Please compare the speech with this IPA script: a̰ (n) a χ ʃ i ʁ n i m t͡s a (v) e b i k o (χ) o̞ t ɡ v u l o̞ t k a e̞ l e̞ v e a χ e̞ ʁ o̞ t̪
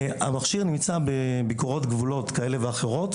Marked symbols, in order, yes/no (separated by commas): no, no, no